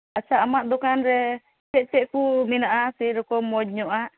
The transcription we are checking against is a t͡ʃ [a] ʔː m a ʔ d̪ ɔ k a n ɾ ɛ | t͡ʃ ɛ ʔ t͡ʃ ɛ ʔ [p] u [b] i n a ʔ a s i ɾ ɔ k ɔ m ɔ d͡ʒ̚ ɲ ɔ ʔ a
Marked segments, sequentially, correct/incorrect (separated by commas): correct, incorrect, incorrect